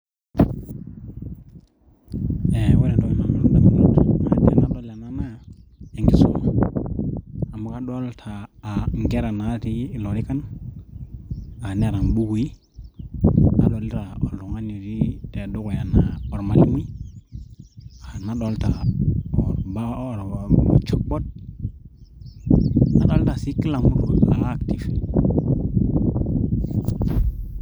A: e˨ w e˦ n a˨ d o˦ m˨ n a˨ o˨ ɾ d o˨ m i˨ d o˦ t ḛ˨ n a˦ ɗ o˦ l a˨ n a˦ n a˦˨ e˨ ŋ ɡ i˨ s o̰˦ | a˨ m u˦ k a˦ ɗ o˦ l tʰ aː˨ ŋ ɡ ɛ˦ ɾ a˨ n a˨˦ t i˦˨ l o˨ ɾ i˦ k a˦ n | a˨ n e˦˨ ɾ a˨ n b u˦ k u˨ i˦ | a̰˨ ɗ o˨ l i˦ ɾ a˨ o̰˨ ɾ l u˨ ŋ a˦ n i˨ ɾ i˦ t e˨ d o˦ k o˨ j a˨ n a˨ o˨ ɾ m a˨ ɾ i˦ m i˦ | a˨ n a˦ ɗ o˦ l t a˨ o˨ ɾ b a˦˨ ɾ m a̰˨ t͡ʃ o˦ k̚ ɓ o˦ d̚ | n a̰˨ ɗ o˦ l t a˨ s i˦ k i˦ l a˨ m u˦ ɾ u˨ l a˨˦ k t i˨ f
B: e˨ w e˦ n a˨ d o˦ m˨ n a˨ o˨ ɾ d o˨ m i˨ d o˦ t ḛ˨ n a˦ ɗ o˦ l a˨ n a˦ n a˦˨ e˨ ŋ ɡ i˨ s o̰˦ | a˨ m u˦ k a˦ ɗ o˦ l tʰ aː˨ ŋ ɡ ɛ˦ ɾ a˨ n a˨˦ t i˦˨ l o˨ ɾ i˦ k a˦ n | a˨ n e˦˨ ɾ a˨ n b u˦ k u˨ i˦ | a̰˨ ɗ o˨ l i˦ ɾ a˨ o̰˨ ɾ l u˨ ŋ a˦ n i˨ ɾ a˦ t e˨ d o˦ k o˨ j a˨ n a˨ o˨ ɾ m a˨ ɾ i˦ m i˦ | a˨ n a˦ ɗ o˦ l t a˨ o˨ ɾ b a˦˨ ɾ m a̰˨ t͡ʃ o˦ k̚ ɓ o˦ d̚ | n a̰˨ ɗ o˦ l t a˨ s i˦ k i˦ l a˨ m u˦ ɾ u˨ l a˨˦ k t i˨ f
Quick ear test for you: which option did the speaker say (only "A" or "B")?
A